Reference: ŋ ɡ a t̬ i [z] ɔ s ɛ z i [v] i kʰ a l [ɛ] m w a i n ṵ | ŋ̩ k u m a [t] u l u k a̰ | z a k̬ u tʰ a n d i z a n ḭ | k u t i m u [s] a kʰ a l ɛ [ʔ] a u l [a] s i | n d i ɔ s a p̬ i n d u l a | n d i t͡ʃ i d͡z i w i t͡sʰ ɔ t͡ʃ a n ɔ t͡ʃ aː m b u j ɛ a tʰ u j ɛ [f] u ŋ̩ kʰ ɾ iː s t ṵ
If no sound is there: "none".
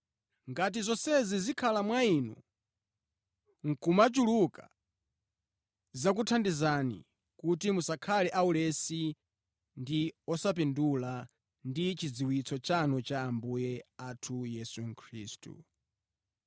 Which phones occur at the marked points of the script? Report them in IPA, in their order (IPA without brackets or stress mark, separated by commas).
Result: z, z, a, t͡ʃ, s, ʔ, ɛ, s